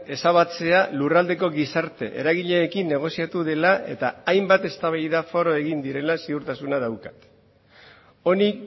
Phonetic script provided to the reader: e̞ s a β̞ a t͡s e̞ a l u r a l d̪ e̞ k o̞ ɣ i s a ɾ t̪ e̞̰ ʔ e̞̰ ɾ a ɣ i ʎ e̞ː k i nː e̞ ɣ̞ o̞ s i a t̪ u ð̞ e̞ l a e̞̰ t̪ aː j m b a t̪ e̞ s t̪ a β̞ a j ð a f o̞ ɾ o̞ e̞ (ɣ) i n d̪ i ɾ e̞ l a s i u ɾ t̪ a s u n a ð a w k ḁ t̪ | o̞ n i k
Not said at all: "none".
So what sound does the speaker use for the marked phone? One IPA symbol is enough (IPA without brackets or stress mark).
ɣ